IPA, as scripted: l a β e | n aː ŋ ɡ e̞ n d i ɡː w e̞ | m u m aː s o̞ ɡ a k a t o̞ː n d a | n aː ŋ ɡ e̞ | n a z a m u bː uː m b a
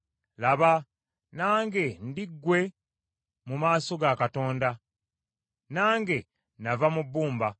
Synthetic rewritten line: l a β a | n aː ŋ ɡ e̞ n d i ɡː w e̞ | m u m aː s o̞ ɡ a k a t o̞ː n d a | n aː ŋ ɡ e̞ | n a v a m u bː uː m b a